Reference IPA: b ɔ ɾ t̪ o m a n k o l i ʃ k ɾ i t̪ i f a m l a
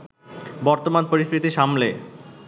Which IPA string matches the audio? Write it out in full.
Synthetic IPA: b ɔ ɾ t̪ o m a n p o ɾ i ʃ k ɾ i t̪ i ʃ a m l e